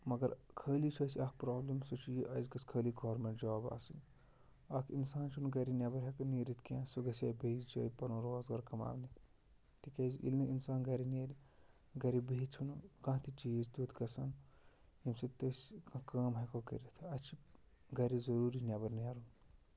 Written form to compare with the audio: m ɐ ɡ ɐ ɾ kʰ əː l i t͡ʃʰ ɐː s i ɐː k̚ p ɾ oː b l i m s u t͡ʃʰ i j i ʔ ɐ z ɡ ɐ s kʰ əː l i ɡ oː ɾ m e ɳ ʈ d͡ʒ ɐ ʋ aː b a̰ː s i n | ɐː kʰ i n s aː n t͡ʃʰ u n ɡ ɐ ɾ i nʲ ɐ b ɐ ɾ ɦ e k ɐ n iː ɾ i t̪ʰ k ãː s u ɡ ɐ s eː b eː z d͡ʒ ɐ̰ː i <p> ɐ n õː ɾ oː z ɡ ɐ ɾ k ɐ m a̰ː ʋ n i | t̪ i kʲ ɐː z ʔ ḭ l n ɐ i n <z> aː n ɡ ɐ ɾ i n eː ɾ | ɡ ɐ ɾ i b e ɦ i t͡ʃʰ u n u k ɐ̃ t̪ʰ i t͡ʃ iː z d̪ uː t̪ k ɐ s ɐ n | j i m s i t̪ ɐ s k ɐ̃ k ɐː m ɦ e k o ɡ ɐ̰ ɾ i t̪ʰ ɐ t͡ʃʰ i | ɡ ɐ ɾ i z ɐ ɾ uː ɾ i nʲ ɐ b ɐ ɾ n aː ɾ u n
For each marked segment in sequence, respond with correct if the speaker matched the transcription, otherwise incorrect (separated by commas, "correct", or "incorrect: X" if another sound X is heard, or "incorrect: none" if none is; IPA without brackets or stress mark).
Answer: correct, incorrect: s